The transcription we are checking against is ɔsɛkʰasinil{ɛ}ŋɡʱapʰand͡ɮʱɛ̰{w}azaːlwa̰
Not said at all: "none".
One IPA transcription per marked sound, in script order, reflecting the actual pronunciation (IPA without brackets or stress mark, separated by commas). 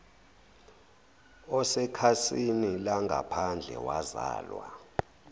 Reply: a, w